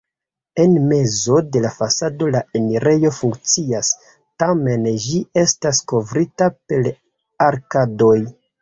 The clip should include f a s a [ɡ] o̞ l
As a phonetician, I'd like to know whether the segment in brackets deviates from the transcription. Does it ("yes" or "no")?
yes